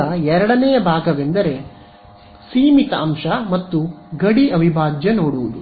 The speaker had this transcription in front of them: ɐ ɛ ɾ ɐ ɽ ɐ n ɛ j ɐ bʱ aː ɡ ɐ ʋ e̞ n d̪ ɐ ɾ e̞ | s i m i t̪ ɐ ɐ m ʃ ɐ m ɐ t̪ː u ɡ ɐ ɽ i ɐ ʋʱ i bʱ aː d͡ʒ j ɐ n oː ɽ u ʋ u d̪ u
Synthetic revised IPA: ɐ ɛ ɾ ɐ ɽ ɐ n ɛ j ɐ bʱ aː ɡ ɐ ʋ e̞ n d̪ ɐ ɾ e̞ | s iː m i t̪ ɐ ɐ m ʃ ɐ m ɐ t̪ː u ɡ ɐ ɽ i ɐ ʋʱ i bʱ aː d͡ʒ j ɐ n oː ɽ u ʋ u d̪ u

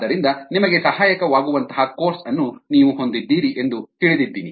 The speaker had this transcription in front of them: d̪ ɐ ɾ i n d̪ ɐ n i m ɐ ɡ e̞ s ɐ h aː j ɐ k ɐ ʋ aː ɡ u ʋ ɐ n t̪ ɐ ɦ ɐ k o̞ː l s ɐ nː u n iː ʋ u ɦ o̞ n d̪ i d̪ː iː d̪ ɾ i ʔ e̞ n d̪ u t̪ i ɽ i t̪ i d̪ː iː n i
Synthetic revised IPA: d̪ ɐ ɾ i n d̪ ɐ n i m ɐ ɡ e̞ s ɐ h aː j ɐ k ɐ ʋ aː ɡ u ʋ ɐ n t̪ ɐ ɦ ɐ k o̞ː ɾ s ɐ nː u n iː ʋ u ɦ o̞ n d̪ i d̪ː iː ɾ i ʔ e̞ n d̪ u t̪ i ɭ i d̪ i d̪ː iː n i

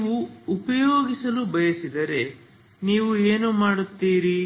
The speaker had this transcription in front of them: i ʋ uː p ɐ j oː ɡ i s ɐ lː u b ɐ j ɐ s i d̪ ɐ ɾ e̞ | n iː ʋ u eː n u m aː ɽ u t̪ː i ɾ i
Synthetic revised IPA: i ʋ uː p ɐ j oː ɡ i s ɐ l u b ɐ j ɐ s i d̪ ɐ ɾ e̞ | n iː ʋ u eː n u m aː ɽ u t̪ː iː ɾ i

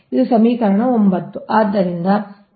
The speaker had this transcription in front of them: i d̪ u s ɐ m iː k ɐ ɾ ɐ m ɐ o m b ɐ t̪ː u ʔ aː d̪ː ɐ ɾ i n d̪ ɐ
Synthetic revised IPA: i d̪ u s ɐ m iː k ɐ ɾ ɐ ɳ ɐ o m b ɐ t̪ː u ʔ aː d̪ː ɐ ɾ i n d̪ ɐ

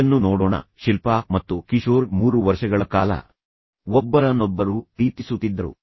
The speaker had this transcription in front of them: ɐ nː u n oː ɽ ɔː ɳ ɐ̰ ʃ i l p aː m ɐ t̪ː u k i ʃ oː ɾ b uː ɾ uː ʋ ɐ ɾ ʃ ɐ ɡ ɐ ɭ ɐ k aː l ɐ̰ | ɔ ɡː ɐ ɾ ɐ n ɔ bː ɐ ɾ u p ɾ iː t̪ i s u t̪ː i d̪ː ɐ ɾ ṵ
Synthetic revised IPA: ɐ nː u n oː ɽ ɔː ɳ ɐ̰ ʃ i l p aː m ɐ t̪ː u k i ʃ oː ɾ m uː ɾ u ʋ ɐ ɾ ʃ ɐ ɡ ɐ ɭ ɐ k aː l ɐ̰ | ɔ bː ɐ ɾ ɐ n ɔ bː ɐ ɾ u p ɾ iː t̪ i s u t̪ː i d̪ː ɐ ɾ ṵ

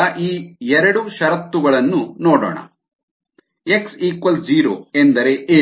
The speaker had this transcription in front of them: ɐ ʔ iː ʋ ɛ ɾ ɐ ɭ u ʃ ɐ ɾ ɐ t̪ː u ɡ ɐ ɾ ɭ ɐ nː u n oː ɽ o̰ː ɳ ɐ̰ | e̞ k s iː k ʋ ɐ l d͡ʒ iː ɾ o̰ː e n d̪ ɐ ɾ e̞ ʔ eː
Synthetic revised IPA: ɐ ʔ iː ɛ ɾ ɐ ɽ u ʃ ɐ ɾ ɐ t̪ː u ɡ ɐ ɭ ɐ nː u n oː ɽ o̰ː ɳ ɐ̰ | e̞ k s iː k ʋ ɐ l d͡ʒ iː ɾ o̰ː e n d̪ ɐ ɾ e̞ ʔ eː

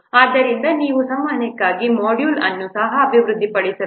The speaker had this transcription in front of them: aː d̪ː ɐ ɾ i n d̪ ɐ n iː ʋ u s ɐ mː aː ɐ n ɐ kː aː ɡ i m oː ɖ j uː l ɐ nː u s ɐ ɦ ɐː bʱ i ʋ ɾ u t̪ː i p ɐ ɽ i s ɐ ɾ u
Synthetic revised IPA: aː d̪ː ɐ ɾ i n d̪ ɐ n iː ʋ u s ɐ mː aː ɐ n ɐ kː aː ɡ i m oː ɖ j uː l ɐ nː u s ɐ ɦ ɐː bʱ i ʋ ɾ u d̪ː i p ɐ ɽ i s ɐ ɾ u

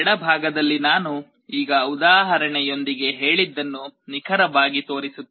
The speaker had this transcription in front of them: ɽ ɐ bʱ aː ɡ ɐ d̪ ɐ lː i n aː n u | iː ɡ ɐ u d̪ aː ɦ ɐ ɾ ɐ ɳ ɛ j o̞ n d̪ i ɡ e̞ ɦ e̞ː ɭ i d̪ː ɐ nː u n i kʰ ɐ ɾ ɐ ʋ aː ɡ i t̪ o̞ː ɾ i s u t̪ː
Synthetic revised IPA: ɽ ɐ bʱ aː ɡ ɐ d̪ ɐ lː i n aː n u | iː ɡ ɐ u d̪ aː ɦ ɐ ɾ ɐ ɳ ɛ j o̞ n d̪ i ɡ e̞ ɦ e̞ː ɭ i d̪ː ɐ nː u n i kʰ ɐ ɾ ɐ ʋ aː ɡ i t̪ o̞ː ɾ i s u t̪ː

